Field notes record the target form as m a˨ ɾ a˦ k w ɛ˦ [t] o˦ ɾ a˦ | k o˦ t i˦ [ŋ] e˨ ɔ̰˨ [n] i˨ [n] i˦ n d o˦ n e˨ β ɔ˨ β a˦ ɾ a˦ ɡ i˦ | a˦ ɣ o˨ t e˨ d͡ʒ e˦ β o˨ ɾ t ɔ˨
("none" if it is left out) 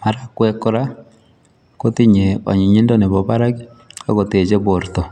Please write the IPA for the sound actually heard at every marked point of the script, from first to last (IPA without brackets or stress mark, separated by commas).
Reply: k, ɲ, ɲ, ɲ